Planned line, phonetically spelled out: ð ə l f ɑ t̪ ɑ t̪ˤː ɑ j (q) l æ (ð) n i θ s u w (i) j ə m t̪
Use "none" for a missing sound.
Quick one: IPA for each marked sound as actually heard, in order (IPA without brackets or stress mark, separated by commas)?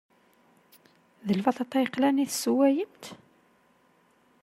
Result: q, none, æ